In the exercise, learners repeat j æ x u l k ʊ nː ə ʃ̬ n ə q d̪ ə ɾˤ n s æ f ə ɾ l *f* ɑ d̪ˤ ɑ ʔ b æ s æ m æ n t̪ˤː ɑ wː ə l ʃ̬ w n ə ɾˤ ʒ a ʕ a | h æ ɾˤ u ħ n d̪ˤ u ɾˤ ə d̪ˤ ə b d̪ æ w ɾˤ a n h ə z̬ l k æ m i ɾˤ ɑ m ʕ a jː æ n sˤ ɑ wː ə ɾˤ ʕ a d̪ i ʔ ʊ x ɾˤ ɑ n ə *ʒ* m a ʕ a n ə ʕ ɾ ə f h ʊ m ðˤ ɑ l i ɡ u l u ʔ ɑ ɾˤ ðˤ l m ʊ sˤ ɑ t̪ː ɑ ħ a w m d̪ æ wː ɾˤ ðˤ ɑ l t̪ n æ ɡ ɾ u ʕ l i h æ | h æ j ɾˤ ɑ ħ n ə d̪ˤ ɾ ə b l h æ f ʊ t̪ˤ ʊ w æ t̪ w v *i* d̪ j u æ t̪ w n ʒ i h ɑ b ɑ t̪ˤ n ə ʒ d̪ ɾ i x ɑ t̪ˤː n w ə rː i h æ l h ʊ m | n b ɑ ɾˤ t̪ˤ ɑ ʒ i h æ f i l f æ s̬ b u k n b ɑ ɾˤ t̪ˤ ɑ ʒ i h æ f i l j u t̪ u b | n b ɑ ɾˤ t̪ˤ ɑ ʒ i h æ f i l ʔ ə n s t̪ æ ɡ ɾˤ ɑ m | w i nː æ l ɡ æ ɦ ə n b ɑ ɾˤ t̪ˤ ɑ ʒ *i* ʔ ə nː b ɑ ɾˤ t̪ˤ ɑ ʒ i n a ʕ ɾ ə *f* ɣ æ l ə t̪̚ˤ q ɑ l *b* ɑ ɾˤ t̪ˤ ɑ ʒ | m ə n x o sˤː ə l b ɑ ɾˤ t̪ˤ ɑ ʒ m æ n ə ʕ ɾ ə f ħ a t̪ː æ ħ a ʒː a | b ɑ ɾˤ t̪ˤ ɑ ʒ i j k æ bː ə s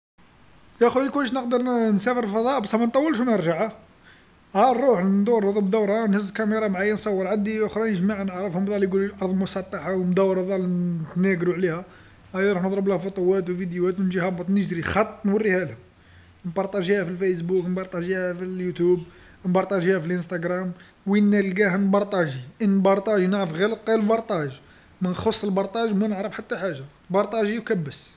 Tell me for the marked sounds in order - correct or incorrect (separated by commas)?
correct, correct, correct, correct, correct, correct